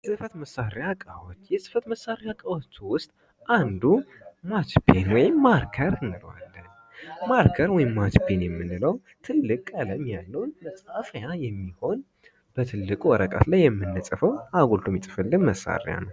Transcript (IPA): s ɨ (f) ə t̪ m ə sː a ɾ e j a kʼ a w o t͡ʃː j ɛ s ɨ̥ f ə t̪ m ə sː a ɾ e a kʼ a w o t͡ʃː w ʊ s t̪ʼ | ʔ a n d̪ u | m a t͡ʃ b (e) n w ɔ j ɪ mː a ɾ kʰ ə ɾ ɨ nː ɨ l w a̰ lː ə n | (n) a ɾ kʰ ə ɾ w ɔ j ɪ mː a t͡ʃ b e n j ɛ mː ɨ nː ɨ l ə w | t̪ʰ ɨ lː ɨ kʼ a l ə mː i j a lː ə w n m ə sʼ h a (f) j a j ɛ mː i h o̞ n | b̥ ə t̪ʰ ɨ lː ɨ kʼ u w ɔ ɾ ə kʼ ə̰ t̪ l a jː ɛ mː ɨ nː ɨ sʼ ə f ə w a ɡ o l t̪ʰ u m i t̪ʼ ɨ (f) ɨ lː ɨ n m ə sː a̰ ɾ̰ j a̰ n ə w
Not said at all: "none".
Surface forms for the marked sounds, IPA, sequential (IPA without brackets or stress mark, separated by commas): f, e, m, f, f